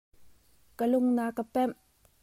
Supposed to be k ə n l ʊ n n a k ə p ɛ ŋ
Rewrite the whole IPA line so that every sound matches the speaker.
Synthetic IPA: k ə l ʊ ŋ n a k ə p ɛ m